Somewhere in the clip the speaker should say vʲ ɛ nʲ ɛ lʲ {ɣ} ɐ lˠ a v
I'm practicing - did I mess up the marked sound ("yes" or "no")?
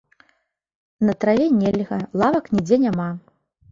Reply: no